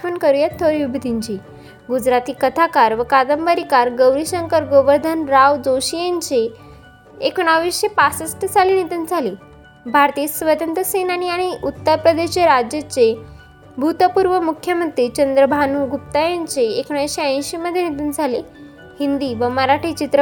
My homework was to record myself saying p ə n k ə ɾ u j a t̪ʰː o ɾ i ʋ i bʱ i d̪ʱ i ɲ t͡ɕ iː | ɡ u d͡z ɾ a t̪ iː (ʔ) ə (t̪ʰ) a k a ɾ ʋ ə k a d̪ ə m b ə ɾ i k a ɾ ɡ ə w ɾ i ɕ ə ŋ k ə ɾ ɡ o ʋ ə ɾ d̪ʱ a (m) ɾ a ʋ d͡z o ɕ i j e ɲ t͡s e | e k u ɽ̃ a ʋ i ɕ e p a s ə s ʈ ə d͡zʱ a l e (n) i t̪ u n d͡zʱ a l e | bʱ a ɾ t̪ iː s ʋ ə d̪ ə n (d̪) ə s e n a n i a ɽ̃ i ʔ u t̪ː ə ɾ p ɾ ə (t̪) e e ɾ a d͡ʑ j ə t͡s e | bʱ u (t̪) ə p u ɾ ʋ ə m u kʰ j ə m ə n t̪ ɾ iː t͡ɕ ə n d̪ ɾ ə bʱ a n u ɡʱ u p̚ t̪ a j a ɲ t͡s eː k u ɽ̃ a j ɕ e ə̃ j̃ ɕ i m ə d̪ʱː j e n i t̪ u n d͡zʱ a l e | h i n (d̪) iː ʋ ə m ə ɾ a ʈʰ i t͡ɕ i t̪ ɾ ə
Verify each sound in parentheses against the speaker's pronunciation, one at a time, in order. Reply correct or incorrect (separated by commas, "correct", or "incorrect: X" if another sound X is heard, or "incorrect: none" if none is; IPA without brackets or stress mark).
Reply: incorrect: k, correct, incorrect: n, correct, incorrect: t̪, incorrect: d̪, correct, correct